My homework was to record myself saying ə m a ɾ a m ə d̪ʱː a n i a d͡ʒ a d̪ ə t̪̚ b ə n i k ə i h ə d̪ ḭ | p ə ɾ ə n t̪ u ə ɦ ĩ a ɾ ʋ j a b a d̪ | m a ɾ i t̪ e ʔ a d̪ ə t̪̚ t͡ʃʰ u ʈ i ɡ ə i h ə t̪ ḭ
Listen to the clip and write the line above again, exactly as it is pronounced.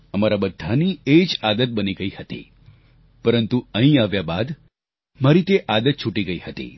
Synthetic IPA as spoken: ə m a ɾ a b ə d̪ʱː a n i e d͡ʒ a d̪ ə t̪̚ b ə n i ɡ ə i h ə t̪ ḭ | p ə ɾ ə n t̪ u ə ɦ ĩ a ʋ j a b a d̪ | m a ɾ i t̪ e ʔ a d̪ ə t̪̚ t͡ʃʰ u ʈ i ɡ ə i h ə t̪ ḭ